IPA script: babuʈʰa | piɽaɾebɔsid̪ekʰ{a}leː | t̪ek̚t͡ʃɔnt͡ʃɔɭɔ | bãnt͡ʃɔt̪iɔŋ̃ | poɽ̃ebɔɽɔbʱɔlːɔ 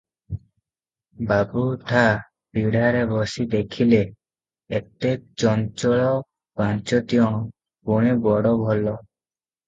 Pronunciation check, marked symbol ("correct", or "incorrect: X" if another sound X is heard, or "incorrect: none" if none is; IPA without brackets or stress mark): incorrect: i